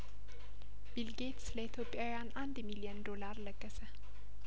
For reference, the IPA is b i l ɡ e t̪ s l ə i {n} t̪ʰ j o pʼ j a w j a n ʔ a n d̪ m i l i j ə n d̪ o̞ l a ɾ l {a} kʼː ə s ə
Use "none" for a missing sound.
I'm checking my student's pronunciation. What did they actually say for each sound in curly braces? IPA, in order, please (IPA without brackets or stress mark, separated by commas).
none, ə